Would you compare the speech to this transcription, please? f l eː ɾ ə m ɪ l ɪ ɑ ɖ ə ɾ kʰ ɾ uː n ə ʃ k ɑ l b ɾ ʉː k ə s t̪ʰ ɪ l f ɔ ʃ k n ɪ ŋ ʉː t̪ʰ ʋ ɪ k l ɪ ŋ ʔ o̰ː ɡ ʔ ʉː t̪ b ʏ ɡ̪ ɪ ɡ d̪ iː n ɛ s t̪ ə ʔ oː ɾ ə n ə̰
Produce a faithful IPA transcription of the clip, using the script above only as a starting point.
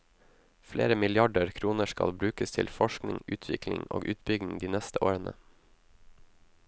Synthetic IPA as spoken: f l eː ɾ ə m ɪ l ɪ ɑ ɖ ə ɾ kʰ ɾ uː n ə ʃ k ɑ l b ɾ ʉː k ə s t̪ʰ ɪ l f ɔ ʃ k n ɪ ŋ ʉː t̪ʰ ʋ ɪ k l ɪ ŋ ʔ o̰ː ɡ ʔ ʉː t̪ b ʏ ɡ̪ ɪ ŋ d̪ iː n ɛ s t̪ ə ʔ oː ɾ ə n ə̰